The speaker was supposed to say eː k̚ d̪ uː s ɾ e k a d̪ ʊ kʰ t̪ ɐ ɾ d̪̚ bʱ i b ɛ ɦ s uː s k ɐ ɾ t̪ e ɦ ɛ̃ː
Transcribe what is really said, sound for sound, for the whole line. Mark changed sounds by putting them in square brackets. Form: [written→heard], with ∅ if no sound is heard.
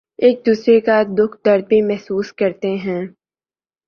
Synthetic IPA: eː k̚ d̪ uː s ɾ e k a d̪ ʊ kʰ [t̪→d̪] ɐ ɾ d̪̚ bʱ i [b→m] ɛ ɦ s uː s k ɐ ɾ t̪ e ɦ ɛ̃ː